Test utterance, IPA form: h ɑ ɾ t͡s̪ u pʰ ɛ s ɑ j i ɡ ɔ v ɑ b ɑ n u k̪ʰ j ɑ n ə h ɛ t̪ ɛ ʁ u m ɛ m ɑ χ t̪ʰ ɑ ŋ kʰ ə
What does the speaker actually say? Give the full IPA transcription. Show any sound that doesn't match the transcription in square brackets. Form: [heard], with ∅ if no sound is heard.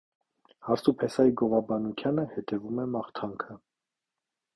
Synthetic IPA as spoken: h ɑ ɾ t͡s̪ u pʰ ɛ s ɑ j i ɡ ɔ v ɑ b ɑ n u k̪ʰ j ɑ n ə h ɛ t̪ ɛ [v] u m ɛ m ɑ χ t̪ʰ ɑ ŋ kʰ ə